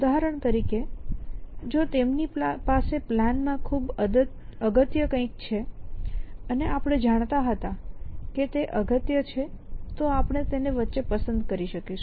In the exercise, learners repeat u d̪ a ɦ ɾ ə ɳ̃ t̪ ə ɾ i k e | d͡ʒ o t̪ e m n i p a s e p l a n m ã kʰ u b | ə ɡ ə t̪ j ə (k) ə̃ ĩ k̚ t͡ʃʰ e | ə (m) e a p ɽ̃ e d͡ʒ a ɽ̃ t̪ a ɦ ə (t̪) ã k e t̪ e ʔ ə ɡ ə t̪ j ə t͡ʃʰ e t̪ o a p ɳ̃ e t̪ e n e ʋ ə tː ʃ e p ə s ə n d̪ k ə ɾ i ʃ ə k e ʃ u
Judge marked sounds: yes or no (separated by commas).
yes, no, yes